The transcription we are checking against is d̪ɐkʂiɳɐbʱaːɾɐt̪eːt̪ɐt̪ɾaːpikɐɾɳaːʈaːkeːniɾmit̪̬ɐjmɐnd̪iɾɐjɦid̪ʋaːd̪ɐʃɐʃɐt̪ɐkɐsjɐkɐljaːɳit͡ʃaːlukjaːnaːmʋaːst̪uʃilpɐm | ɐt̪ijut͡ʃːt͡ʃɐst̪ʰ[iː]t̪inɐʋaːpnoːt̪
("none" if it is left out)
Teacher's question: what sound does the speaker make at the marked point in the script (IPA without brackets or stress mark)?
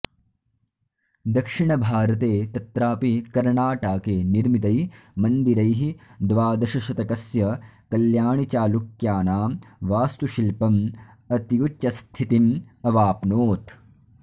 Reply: i